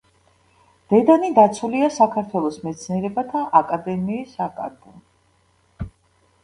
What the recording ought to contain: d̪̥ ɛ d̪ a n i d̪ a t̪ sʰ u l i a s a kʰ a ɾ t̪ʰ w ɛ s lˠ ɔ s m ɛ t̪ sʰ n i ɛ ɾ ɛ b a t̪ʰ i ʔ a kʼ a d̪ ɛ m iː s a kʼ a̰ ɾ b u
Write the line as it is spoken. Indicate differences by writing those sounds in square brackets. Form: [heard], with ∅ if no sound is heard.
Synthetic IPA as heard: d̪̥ ɛ d̪ a n i d̪ a t̪ sʰ u l i a s a kʰ a ɾ t̪ʰ w ɛ [∅] lˠ ɔ s m ɛ t̪ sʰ n i ɛ ɾ ɛ b a t̪ʰ [a] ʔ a kʼ a d̪ ɛ m iː s a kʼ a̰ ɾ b u

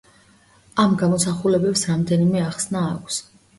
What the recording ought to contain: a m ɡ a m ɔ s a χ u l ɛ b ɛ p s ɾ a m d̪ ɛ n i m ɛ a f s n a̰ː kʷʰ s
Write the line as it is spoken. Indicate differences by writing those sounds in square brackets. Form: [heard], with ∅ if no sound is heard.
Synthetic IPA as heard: a m ɡ a m ɔ s a χ u l ɛ b ɛ p s ɾ a m d̪ ɛ n i m ɛ a [χ] s n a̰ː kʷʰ s

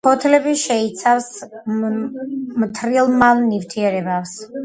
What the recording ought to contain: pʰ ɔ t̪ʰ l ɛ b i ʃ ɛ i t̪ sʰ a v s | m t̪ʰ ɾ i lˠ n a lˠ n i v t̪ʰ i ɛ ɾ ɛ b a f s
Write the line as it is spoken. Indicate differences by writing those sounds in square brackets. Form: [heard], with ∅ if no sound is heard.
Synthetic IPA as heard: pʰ ɔ t̪ʰ l ɛ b i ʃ ɛ i t̪ sʰ a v s | m t̪ʰ ɾ i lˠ [m] a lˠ n i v t̪ʰ i ɛ ɾ ɛ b a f s

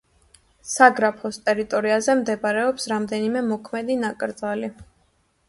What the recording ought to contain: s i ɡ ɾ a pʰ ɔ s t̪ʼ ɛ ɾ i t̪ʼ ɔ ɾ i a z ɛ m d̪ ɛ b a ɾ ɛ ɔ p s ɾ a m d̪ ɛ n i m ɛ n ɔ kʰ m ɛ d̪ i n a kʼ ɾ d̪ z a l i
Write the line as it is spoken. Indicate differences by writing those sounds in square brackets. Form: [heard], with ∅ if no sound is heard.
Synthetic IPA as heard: s [a] ɡ ɾ a pʰ ɔ s t̪ʼ ɛ ɾ i t̪ʼ ɔ ɾ i a z ɛ m d̪ ɛ b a ɾ ɛ ɔ p s ɾ a m d̪ ɛ n i m ɛ [m] ɔ kʰ m ɛ d̪ i n a kʼ ɾ d̪ z a l i

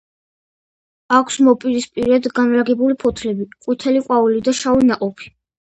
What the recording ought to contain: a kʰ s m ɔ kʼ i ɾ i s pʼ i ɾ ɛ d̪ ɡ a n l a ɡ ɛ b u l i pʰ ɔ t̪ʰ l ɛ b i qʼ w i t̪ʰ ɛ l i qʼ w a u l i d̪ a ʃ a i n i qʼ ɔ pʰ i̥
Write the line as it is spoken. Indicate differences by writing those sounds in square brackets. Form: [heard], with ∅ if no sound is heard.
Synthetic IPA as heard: a kʰ s m ɔ [pʼ] i ɾ i s pʼ i ɾ ɛ d̪ ɡ a n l a ɡ ɛ b u l i pʰ ɔ t̪ʰ l ɛ b i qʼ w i t̪ʰ ɛ l i qʼ w a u l i d̪ a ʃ a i n [a] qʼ ɔ pʰ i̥

